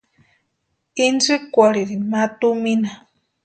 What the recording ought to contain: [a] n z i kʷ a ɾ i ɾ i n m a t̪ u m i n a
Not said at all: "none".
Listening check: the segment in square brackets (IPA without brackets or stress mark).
i